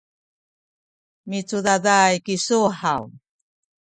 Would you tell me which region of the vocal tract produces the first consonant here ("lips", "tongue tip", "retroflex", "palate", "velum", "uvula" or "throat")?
lips